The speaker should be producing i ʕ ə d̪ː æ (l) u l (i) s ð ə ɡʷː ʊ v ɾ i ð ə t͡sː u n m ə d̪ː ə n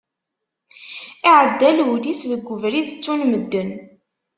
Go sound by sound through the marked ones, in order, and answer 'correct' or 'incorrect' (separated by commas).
correct, correct